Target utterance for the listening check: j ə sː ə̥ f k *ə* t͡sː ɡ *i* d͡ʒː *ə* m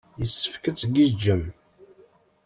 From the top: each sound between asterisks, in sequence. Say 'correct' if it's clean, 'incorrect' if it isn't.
correct, correct, correct

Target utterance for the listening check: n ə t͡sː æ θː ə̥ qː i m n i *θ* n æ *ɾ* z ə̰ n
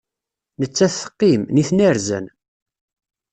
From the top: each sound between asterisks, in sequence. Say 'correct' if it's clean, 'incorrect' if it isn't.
correct, correct

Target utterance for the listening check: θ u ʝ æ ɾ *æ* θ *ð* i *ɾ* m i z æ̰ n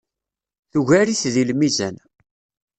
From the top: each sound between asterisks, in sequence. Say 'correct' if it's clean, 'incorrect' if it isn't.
incorrect: i, correct, incorrect: l

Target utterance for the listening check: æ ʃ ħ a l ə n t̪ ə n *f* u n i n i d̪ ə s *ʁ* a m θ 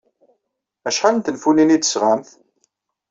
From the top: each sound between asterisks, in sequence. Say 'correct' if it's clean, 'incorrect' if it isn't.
correct, correct

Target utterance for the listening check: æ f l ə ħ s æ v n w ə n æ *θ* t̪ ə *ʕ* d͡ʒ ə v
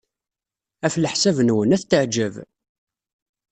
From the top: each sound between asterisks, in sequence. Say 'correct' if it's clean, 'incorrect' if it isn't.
correct, correct

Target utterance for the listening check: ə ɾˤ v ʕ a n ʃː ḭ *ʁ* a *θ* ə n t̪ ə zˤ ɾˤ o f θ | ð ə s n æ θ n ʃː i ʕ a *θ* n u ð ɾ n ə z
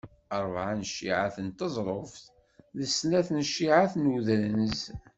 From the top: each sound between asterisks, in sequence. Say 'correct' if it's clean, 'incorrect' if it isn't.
incorrect: ʕ, correct, correct

